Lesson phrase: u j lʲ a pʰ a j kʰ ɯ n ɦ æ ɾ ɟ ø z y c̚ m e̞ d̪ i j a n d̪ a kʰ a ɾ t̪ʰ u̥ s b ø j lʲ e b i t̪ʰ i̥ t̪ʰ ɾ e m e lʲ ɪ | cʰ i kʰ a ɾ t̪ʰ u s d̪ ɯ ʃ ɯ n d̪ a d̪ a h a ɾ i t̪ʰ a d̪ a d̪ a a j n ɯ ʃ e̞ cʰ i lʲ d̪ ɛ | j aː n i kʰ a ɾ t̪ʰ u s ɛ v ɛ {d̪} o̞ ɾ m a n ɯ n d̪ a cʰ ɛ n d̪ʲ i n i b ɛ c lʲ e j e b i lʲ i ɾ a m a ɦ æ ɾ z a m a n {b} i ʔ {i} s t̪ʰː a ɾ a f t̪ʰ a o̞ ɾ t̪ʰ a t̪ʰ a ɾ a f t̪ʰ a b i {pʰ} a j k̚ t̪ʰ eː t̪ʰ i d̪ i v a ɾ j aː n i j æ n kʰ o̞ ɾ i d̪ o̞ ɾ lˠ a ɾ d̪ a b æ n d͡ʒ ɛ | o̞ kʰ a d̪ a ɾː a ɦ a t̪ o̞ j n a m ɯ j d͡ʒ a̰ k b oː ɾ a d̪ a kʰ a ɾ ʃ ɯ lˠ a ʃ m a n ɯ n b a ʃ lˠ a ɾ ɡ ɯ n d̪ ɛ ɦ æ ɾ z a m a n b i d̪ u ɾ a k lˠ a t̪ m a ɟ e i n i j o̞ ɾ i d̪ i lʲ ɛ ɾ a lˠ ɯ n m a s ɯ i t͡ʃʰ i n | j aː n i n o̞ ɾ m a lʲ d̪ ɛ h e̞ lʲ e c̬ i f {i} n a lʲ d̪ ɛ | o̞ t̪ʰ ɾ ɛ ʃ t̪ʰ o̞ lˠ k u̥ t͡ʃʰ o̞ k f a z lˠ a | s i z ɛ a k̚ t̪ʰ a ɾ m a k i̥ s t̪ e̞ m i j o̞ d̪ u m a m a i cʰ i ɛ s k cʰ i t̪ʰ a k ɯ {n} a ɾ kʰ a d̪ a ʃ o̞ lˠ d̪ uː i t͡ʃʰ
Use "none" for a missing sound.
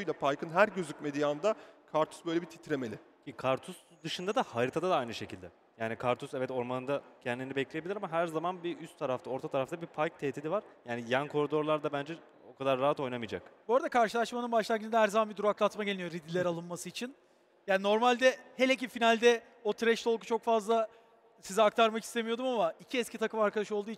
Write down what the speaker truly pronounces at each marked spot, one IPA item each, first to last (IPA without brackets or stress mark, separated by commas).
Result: t̪, b, y, pʰ, i, m